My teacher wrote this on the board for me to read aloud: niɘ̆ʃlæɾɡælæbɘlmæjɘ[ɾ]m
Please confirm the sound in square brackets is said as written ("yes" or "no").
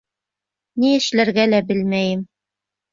no